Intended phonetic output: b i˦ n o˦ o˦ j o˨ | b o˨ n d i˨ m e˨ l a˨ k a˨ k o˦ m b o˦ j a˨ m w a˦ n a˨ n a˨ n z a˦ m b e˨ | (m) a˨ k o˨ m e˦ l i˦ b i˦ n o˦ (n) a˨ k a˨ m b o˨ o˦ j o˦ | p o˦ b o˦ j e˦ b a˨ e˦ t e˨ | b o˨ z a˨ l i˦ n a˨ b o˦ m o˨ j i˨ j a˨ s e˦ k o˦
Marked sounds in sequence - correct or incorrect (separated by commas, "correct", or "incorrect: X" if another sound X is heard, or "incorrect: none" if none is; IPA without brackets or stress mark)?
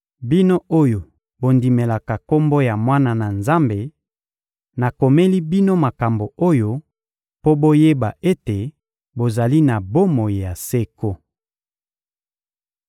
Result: incorrect: n, incorrect: m